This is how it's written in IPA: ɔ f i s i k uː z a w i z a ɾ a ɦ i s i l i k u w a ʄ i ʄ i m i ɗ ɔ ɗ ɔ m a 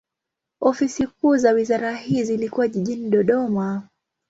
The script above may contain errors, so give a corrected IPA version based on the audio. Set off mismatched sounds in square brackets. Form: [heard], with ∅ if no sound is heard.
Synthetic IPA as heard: ɔ f i s i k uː z a w i z a ɾ a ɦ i [z] i l i k u w a ʄ i ʄ i [n] i ɗ ɔ ɗ ɔ m a

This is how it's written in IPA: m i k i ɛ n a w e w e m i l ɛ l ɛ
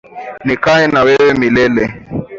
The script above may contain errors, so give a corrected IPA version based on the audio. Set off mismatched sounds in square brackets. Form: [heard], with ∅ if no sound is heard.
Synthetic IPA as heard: [n] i k [a] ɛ n a w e w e m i l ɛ l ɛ

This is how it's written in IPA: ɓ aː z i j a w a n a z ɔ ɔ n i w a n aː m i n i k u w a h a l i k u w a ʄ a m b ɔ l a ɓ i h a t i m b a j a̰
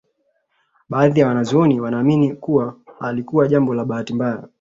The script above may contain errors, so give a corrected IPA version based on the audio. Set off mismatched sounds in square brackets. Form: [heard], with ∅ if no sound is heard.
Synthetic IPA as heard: ɓ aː [ð] i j a w a n a z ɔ ɔ n i w a n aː m i n i k u w a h a l i k u w a ʄ a m b ɔ l a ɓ [a] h a t i m b a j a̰

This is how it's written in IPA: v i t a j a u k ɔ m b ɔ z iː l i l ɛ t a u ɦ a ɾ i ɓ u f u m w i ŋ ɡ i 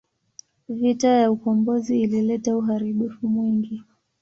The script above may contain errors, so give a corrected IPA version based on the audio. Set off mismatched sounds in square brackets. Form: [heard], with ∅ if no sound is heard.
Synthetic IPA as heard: v i t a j a u k ɔ m b ɔ z iː l i l ɛ t a u ɦ a ɾ i ɓ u f u m w i ŋ ɡ i

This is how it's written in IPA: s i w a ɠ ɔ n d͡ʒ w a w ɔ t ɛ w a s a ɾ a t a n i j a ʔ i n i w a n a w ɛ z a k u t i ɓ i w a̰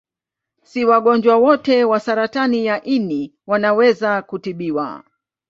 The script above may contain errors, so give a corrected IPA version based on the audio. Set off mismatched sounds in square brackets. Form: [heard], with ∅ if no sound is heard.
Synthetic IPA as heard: s i w a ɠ ɔ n d͡ʒ w a w ɔ t ɛ w a s a ɾ a t a n i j a ʔ i n i w a n a w ɛ z a k u t i ɓ i w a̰

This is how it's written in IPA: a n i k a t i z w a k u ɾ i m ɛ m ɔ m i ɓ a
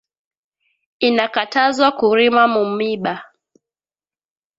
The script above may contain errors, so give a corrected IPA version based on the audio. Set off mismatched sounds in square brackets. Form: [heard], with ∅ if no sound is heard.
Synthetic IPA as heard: [i] n [a] k a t [a] z w a k u ɾ i m [a] m [u] m i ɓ a

